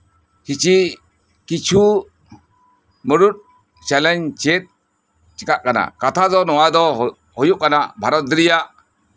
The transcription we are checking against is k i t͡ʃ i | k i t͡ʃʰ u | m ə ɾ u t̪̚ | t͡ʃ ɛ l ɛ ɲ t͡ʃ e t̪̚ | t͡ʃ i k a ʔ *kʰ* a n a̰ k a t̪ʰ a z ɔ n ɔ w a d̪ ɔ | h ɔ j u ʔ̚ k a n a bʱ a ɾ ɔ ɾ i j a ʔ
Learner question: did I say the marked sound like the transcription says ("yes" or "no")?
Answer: no